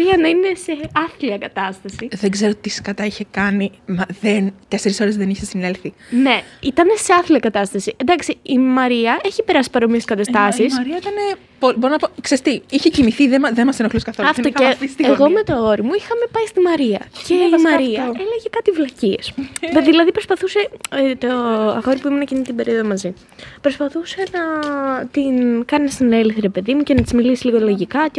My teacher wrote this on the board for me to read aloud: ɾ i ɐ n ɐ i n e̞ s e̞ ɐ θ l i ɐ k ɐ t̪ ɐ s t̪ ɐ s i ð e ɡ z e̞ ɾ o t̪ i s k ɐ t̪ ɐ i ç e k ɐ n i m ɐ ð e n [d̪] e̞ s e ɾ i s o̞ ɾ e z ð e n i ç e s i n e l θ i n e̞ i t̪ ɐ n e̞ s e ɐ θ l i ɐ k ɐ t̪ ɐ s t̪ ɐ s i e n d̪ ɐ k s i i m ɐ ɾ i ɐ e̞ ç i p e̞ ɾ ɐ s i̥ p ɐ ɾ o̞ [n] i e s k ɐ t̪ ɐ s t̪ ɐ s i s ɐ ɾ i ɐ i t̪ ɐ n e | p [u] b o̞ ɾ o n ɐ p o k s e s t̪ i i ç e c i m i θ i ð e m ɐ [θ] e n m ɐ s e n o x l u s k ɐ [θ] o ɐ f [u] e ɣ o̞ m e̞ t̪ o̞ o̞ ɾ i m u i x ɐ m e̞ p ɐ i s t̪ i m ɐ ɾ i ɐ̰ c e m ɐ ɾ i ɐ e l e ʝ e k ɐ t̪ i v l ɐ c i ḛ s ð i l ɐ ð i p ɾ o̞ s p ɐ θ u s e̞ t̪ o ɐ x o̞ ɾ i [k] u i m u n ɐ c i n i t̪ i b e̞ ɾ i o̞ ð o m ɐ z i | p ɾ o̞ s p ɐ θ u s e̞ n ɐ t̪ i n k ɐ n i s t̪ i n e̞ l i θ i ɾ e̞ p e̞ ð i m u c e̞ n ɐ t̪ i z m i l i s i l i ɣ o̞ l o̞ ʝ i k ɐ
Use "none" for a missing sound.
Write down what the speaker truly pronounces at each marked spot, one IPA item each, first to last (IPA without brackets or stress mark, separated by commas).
t̪, m, o, ð, θ, o, p